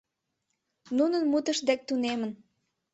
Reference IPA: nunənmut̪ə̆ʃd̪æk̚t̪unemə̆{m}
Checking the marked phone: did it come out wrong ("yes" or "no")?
yes